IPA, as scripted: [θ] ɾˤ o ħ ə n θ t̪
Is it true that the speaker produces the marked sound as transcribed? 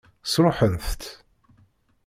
no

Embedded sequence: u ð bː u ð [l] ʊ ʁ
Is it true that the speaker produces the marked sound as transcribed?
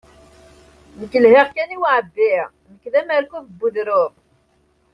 no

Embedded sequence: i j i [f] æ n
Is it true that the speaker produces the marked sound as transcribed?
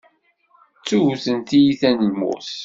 no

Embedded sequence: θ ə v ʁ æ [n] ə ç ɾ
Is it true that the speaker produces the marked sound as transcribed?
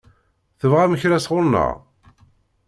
no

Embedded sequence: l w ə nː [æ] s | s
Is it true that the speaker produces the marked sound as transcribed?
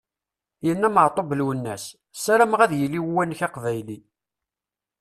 yes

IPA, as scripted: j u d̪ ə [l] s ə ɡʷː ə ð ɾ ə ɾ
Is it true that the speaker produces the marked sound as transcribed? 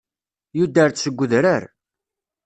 no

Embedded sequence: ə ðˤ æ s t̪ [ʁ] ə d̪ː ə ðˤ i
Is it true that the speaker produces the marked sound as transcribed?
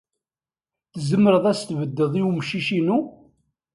no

